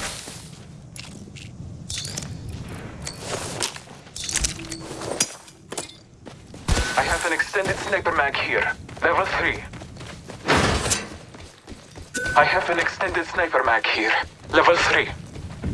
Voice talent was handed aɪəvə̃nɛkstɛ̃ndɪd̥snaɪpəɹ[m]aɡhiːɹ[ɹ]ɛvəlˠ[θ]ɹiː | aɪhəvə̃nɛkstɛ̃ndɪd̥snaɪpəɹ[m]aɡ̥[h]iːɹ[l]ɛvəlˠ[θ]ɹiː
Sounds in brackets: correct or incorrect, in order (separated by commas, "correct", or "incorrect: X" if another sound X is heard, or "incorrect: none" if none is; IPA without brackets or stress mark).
correct, incorrect: l, correct, correct, correct, correct, correct